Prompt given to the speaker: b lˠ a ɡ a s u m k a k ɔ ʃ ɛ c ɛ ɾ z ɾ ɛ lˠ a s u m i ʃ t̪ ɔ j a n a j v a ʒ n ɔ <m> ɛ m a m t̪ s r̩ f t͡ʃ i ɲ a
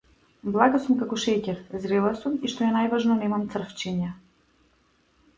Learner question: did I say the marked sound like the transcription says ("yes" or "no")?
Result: no